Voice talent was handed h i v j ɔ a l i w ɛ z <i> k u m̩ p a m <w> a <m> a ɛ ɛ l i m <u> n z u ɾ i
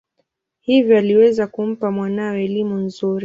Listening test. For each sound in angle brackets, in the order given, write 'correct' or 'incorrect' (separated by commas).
incorrect, correct, incorrect, correct